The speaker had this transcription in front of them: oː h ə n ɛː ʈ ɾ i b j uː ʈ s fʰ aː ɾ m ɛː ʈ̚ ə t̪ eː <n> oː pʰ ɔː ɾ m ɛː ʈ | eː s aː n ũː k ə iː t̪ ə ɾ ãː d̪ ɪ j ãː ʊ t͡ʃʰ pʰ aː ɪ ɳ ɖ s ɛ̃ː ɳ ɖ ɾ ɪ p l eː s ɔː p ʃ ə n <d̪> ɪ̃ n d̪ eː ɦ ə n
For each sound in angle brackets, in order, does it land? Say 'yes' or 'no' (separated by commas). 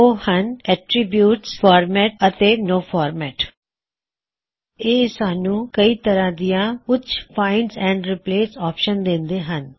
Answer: yes, yes